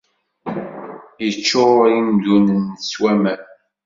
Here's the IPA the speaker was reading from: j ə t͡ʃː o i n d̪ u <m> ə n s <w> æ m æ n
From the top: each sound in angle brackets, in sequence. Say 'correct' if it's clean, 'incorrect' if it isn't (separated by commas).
incorrect, correct